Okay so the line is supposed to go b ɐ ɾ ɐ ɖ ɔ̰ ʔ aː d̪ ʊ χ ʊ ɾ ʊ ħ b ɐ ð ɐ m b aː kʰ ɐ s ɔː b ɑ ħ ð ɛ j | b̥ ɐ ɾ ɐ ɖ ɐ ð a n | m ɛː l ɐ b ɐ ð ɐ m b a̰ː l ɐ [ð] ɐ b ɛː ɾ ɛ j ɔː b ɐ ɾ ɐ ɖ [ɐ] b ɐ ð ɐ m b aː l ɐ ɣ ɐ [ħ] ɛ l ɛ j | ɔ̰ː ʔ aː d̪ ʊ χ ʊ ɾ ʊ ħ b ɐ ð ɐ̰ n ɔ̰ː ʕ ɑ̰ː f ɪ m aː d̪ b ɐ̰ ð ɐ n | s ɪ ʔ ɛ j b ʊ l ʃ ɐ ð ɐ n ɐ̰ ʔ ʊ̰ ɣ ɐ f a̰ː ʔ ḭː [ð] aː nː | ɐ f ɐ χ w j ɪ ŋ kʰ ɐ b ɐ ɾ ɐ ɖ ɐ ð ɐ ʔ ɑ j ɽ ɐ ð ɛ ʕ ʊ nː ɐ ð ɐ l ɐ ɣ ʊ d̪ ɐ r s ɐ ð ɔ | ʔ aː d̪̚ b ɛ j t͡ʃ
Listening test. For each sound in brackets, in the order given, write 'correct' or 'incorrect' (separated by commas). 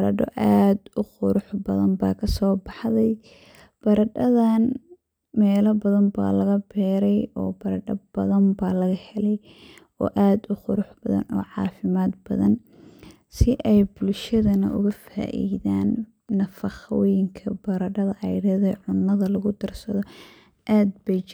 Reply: incorrect, correct, incorrect, correct